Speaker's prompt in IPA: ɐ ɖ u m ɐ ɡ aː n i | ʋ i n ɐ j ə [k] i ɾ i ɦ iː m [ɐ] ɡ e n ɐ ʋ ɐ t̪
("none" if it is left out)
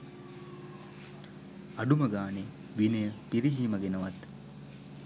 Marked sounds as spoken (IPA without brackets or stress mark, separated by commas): p, ɐ